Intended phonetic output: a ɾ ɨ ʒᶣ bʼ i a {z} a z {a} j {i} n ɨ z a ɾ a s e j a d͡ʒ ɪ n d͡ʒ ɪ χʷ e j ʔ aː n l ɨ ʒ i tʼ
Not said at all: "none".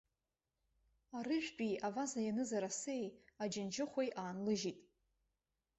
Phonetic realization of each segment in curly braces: v, a, a

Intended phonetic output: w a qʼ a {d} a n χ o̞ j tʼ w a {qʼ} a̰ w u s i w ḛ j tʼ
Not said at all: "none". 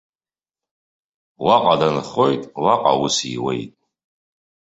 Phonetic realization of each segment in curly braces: d, qʼ

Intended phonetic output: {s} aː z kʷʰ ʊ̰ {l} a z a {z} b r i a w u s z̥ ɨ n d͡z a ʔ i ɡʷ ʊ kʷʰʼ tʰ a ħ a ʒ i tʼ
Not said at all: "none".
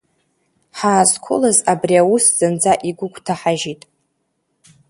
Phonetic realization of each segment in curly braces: ħ, l, none

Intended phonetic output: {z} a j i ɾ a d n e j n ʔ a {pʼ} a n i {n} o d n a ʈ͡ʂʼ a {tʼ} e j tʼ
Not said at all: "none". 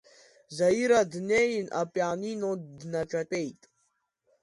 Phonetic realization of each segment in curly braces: z, pʼ, n, tʼ

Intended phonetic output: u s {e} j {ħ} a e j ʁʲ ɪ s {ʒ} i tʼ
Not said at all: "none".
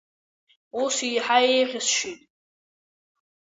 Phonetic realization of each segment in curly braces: i, ħ, ʃ

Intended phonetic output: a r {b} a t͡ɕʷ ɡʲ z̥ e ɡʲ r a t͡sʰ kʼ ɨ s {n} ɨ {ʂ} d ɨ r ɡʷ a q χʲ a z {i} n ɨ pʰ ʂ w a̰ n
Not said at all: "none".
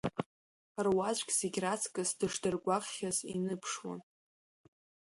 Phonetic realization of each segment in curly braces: w, d, ʂ, i

